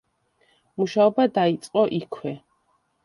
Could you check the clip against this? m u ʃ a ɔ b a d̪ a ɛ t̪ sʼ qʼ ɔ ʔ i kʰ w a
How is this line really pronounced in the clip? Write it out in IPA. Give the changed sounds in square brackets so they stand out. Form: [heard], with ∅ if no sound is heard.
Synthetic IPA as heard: m u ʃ a ɔ b a d̪ a [i] t̪ sʼ qʼ ɔ ʔ i kʰ w [ɛ]